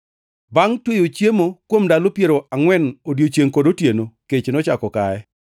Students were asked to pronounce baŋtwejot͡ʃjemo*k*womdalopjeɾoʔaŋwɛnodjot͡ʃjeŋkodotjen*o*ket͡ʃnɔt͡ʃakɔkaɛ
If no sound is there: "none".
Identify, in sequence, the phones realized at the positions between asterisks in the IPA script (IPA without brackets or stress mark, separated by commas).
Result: k, o